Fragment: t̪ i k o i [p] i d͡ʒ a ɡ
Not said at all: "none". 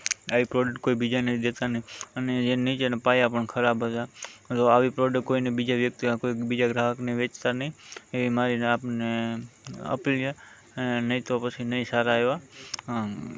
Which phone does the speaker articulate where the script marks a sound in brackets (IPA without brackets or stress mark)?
b